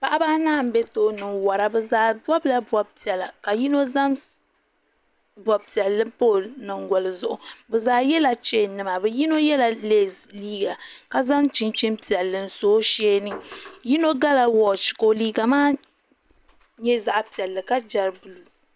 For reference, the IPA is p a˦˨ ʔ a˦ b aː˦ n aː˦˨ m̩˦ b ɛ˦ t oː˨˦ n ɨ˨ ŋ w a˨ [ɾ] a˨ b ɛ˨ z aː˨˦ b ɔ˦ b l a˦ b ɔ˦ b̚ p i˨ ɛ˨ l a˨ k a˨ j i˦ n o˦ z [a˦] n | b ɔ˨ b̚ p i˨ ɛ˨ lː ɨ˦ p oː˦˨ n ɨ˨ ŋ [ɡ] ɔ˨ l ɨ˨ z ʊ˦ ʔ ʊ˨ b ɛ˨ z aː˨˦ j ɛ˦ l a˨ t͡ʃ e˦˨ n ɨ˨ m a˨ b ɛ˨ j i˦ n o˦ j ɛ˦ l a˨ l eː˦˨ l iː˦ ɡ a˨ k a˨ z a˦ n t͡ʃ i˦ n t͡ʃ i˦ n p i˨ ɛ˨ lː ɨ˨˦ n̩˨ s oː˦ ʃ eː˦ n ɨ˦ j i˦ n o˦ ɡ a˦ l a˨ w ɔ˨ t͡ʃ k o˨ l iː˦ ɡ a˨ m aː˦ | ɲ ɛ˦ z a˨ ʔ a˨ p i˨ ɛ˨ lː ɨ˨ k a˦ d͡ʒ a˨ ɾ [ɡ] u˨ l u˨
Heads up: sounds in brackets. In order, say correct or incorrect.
correct, correct, correct, incorrect: b

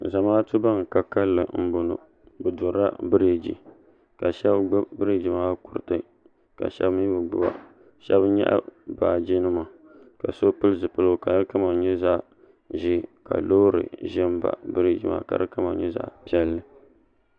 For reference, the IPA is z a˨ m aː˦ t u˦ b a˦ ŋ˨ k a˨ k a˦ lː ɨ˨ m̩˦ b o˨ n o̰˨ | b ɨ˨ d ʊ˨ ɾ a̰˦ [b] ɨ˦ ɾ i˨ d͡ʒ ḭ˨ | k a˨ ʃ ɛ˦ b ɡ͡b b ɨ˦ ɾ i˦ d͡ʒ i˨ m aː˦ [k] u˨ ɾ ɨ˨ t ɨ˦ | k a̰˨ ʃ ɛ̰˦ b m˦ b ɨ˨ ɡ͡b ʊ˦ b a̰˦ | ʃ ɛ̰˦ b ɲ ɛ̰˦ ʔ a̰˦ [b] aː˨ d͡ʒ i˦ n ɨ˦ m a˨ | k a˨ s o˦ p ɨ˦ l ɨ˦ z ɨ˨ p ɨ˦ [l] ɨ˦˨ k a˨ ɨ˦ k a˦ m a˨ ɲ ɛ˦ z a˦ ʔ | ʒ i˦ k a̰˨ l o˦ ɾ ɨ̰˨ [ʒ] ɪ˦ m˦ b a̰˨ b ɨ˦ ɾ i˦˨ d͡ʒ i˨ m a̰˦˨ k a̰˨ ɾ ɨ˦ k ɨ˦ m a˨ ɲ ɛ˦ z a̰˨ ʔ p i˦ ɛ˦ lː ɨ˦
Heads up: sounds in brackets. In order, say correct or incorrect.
correct, correct, correct, correct, correct

